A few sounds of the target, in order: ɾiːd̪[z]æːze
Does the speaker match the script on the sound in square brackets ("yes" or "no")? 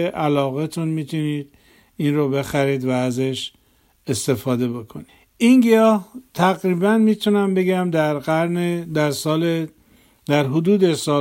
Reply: no